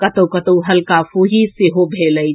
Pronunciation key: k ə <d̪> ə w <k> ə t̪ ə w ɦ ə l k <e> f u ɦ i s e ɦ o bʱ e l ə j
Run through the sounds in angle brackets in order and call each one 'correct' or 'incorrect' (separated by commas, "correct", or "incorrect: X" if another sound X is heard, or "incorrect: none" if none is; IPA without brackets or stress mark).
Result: incorrect: t̪, correct, incorrect: a